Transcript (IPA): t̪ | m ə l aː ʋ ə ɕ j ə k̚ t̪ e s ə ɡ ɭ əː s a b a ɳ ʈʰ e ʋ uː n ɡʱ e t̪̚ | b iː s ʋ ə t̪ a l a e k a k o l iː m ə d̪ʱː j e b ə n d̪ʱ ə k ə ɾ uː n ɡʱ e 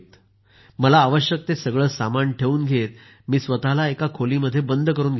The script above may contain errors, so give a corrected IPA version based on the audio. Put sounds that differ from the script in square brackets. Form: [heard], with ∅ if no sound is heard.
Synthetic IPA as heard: t̪ | m ə l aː ʋ ə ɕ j ə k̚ t̪ e s ə ɡ ɭ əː s a [m] a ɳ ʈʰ e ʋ uː n ɡʱ e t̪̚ | [m] iː s ʋ ə t̪ a l a e k a [kʰ] o l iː m ə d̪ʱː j e b ə n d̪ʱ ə k ə ɾ uː n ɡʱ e